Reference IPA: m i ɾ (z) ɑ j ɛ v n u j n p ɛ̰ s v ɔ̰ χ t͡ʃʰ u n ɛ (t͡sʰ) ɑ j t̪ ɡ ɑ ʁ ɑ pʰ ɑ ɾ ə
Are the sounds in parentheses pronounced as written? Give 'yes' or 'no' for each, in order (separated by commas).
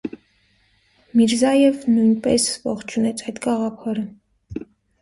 yes, yes